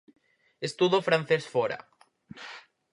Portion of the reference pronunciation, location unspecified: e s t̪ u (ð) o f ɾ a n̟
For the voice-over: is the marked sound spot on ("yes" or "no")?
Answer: yes